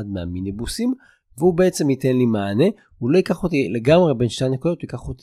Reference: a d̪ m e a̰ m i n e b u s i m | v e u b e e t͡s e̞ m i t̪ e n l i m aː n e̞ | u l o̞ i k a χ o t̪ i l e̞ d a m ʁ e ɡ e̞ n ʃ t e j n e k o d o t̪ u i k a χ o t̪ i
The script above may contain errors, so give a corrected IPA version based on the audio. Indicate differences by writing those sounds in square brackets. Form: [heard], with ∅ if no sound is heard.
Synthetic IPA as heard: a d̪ m e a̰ m i n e b u s i m | v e u b e e t͡s e̞ m i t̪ e n l i m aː n e̞ | u l o̞ i k a χ o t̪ i l e̞ [ɡ] a m ʁ e [b] e̞ n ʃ t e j n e k o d o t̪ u i k a χ o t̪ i